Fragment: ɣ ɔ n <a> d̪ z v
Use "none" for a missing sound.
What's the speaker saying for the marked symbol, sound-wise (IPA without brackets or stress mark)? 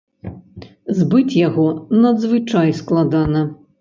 ɐ